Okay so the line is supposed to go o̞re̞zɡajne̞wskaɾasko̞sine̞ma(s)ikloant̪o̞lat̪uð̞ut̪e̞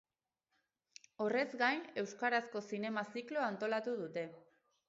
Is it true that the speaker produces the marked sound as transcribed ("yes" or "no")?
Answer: yes